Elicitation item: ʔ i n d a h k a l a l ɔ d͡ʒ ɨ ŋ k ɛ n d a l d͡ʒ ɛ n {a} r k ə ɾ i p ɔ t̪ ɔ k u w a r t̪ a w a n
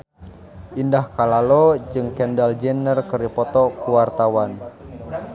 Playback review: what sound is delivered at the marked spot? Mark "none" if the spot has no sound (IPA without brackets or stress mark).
ə